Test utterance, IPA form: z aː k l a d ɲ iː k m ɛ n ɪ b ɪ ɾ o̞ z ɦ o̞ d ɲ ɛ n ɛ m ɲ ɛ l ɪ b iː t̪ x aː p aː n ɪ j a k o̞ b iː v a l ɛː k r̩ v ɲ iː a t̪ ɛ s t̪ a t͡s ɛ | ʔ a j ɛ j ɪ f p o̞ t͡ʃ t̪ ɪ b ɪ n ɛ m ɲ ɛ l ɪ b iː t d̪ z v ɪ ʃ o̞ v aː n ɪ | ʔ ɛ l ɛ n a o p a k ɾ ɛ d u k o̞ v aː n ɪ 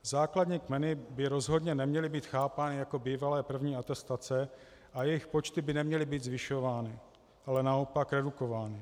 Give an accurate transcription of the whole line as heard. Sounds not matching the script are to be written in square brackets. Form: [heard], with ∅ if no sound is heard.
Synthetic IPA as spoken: z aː k l a d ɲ iː k m ɛ n ɪ b ɪ ɾ o̞ z ɦ o̞ d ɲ ɛ n ɛ m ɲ ɛ l ɪ b iː t̪ x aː p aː n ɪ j a k o̞ b iː v a l ɛː [p] r̩ v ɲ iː a t̪ ɛ s t̪ a t͡s ɛ | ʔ a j ɛ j ɪ [x] p o̞ t͡ʃ t̪ ɪ b ɪ n ɛ m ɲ ɛ l ɪ b iː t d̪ z v ɪ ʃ o̞ v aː n ɪ | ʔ [a] l ɛ n a o p a k ɾ ɛ d u k o̞ v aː n ɪ